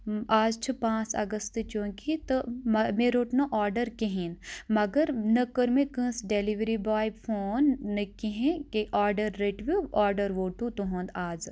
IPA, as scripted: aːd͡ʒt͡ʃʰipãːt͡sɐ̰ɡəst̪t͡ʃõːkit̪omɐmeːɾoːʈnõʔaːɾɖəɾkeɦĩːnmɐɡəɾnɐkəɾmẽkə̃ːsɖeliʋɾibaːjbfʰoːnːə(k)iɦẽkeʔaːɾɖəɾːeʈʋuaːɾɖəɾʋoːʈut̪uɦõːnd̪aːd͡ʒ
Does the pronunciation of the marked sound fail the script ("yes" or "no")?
no